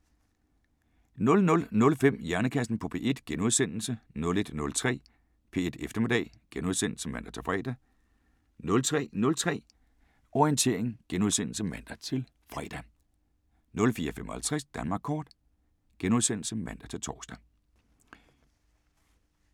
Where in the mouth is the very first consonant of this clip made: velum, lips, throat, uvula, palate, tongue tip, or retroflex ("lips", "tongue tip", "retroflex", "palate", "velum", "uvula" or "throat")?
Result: tongue tip